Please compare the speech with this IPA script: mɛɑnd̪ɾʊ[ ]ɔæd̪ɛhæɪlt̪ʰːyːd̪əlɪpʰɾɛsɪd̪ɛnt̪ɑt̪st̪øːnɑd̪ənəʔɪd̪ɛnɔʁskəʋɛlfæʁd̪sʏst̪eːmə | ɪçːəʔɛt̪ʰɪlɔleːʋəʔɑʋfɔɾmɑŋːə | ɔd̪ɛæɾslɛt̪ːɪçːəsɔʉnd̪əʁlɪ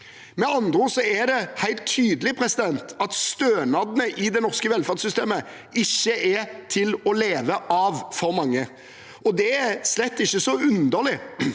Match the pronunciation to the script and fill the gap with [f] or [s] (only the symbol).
s